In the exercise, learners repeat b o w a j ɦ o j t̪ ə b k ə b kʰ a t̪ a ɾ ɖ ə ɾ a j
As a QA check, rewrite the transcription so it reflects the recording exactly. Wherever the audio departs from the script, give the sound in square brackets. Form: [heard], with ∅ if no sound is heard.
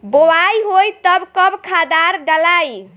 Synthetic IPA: b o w a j ɦ o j t̪ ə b k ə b kʰ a [d̪] a ɾ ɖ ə [l] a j